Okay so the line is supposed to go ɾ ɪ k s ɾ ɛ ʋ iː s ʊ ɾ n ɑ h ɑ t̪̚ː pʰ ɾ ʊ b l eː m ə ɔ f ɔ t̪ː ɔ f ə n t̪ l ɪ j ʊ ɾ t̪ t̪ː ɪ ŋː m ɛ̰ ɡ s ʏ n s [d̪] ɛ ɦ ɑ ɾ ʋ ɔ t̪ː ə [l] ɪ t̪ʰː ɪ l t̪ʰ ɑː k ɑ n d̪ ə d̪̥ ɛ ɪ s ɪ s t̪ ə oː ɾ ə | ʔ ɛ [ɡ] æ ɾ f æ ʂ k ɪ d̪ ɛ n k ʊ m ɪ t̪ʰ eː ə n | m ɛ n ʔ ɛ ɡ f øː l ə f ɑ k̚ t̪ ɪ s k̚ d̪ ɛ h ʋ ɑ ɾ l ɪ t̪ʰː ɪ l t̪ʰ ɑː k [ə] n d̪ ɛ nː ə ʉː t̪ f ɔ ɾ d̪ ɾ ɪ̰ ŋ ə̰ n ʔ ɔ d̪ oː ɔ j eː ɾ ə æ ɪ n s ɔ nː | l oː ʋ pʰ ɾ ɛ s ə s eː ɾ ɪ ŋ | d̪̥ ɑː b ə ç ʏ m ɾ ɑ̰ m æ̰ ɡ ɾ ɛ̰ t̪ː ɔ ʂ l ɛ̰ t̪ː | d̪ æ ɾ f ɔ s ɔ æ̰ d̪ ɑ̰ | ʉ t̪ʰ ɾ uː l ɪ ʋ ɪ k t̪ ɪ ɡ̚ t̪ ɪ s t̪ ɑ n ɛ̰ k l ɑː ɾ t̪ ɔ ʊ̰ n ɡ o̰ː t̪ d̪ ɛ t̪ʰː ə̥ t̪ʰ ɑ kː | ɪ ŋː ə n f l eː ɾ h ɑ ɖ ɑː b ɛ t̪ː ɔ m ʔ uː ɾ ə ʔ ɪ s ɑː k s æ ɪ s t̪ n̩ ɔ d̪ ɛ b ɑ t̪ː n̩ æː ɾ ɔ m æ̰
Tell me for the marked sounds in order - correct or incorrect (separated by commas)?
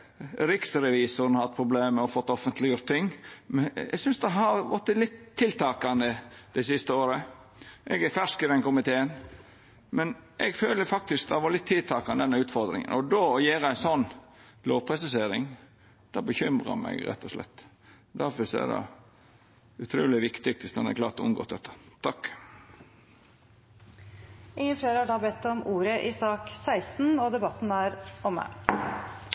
correct, correct, correct, incorrect